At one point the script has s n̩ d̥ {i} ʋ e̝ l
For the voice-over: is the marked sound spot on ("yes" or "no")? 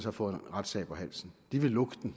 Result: yes